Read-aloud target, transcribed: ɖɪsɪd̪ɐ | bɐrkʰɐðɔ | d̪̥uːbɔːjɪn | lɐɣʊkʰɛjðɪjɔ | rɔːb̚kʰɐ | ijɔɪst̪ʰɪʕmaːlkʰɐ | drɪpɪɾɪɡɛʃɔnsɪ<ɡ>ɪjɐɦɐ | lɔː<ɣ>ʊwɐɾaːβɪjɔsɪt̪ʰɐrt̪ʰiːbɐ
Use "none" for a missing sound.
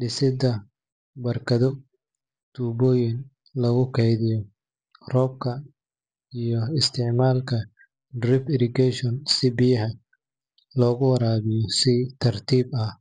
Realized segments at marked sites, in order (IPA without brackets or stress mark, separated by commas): b, ɣ